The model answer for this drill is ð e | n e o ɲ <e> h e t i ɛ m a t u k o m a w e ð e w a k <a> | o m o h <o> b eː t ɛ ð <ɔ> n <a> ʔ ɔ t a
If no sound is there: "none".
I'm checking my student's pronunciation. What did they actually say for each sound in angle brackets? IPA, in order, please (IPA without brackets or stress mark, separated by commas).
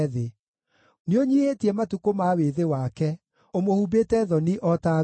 i, ɛ, u, ɔ, i